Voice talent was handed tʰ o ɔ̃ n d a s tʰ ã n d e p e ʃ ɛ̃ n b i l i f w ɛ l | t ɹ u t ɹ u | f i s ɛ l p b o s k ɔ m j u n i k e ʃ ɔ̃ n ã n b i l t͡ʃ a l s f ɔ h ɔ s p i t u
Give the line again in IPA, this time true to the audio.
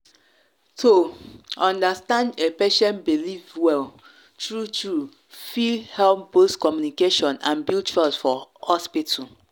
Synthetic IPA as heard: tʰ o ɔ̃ n d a s t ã n d e p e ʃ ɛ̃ n b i l i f w ɛ l | t ɹ u t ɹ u | f i h ɛ l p b o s k ɔ m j u n i k e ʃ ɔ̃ n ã n b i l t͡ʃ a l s f ɔ h ɔ s p i t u